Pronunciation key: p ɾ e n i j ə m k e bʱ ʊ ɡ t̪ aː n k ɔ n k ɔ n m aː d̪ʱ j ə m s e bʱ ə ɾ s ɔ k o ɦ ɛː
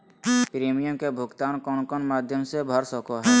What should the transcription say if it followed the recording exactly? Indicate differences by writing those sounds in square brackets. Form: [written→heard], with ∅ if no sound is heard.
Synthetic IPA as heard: p ɾ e [n→m] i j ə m k e bʱ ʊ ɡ t̪ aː n k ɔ n k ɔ n m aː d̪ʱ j ə m s e bʱ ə ɾ s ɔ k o ɦ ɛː